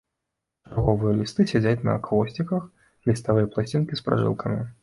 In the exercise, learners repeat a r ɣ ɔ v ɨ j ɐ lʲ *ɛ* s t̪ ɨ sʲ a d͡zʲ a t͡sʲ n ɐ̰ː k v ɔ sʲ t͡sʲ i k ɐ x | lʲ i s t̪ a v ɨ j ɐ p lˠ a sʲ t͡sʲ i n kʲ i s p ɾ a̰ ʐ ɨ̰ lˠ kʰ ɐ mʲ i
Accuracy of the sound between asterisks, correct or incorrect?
incorrect